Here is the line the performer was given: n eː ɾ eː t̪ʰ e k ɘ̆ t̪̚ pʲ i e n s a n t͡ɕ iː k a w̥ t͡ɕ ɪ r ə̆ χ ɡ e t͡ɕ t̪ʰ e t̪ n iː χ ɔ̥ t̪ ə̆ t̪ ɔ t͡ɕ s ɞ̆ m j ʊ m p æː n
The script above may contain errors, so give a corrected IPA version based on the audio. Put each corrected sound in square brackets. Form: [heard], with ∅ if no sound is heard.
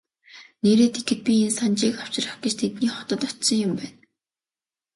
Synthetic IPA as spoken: n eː ɾ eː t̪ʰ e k ɘ̆ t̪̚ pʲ i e n s a n t͡ɕ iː k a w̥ t͡ɕ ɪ r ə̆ χ ɡ e t͡ɕ t̪ʰ e t̪ n iː χ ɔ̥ t̪ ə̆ t̪ ɔ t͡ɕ s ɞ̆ [ŋ] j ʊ m p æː n